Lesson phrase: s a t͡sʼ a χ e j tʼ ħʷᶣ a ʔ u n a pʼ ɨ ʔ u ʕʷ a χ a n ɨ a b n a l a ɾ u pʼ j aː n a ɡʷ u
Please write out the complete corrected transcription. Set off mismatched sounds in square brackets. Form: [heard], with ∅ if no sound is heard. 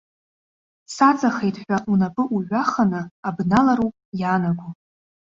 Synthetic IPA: s a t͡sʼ a χ e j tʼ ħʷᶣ a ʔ u n a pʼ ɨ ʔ u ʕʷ a χ a n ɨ a b n a l a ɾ u pʼ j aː n a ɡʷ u